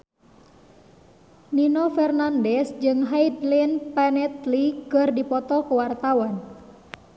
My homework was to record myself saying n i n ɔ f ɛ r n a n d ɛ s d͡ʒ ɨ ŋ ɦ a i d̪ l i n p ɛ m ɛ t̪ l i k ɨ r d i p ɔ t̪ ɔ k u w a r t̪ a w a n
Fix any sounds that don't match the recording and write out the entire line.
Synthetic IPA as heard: n i n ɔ f ɛ r n a n d ɛ s d͡ʒ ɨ ŋ ɦ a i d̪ l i n p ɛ n ɛ t̪ l i k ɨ r d i p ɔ t̪ ɔ k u w a r t̪ a w a n